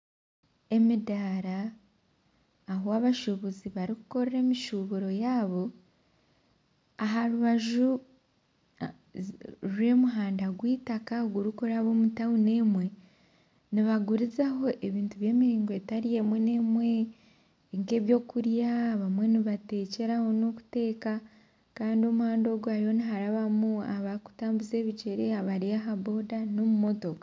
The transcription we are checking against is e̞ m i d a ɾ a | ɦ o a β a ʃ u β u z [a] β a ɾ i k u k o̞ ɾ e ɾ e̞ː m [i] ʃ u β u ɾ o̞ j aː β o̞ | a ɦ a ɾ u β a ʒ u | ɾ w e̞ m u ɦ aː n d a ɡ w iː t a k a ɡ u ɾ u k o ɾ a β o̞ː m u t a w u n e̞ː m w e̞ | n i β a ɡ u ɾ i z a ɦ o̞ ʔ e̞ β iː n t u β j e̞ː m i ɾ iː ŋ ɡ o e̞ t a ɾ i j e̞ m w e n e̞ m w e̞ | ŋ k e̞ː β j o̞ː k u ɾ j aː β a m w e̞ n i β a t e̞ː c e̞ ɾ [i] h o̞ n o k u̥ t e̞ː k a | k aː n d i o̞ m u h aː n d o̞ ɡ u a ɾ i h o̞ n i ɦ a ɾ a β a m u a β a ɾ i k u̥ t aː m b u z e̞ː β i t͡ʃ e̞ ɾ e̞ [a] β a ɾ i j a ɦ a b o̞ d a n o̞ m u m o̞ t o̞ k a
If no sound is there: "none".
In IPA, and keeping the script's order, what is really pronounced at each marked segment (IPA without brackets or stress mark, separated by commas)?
i, i, a, a